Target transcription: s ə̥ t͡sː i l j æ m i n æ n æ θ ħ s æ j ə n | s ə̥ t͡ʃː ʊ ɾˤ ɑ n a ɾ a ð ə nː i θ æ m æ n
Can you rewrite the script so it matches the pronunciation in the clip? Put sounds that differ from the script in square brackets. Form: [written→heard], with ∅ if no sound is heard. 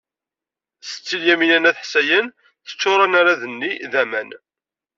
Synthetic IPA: s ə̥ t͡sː i l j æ m i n æ n æ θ ħ s æ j ə n | [s→θ] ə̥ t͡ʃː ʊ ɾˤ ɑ n a ɾ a ð ə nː i [θ→ð] æ m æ n